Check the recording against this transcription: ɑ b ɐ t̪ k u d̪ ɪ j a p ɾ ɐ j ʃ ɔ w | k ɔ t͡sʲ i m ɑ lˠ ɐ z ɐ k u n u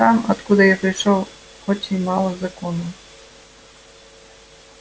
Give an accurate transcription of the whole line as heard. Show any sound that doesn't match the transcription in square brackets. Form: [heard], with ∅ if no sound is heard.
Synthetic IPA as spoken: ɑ [m] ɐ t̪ k u d̪ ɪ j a p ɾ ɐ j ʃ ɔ w | [x] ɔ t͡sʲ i m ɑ lˠ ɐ z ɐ k [ɔ] n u